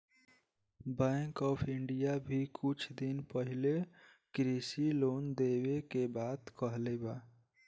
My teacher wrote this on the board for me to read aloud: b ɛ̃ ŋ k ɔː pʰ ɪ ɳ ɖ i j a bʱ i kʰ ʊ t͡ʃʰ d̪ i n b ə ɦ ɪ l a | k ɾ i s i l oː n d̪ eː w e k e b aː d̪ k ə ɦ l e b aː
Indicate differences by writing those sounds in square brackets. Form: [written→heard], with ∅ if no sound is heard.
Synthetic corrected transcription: b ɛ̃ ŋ k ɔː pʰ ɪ ɳ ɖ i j a bʱ i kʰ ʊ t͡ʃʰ d̪ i n [b→p] ə ɦ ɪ l [a→e] | k ɾ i s i l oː n d̪ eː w e k e b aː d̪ k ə ɦ l e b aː